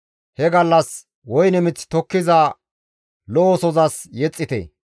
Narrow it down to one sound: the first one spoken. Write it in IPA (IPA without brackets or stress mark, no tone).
h